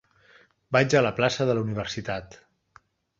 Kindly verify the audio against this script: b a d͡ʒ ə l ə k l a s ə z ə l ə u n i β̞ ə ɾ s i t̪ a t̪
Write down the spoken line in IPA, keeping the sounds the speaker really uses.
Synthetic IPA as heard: b a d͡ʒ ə l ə p l a s ə ð ə l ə u n i β̞ ə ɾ s i t̪ a t̪